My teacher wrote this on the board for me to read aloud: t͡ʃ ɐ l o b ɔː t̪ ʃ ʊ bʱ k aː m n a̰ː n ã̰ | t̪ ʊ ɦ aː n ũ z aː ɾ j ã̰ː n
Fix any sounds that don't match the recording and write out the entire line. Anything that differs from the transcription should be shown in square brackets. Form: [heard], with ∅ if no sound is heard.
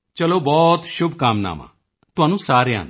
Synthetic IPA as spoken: t͡ʃ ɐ l o b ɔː t̪ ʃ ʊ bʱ k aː m n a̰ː [m] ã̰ | t̪ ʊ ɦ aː n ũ [s] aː ɾ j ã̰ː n